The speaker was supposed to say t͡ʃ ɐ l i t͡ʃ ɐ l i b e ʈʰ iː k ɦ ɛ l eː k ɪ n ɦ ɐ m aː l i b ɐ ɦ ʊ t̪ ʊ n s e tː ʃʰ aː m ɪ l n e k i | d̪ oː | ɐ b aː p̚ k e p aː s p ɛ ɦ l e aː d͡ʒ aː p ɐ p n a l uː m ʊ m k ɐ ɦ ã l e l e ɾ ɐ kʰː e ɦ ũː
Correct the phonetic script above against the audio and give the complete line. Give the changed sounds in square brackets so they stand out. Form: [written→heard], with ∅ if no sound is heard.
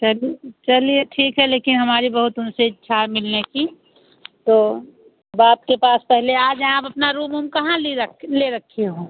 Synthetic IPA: t͡ʃ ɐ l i t͡ʃ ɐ l i [b→∅] e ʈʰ iː k ɦ ɛ l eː k ɪ n ɦ ɐ m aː [l→ɾ] i b ɐ ɦ ʊ t̪ ʊ n s e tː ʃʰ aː m ɪ l n e k i | [d̪→t̪] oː | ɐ b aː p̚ k e p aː s p ɛ ɦ l e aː d͡ʒ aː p ɐ p n a [l→ɾ] uː m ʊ m k ɐ ɦ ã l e l e ɾ ɐ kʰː e ɦ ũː